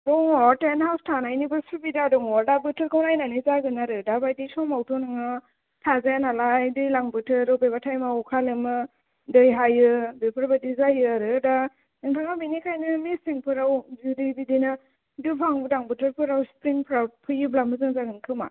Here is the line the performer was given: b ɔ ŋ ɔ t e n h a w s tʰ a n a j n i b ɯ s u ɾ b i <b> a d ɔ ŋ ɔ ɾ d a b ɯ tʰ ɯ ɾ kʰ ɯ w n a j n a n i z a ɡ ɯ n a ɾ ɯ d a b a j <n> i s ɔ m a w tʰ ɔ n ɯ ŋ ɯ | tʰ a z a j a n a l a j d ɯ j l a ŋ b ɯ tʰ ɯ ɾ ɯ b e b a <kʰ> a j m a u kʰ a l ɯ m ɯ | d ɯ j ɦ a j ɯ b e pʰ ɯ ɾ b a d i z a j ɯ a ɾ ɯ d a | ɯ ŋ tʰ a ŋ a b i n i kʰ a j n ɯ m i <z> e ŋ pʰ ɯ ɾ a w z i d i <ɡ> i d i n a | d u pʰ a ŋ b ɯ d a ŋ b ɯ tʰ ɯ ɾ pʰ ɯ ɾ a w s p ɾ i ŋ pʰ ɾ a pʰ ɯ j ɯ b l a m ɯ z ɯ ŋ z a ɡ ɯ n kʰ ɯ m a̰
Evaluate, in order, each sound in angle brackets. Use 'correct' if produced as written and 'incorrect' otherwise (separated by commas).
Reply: incorrect, incorrect, incorrect, incorrect, incorrect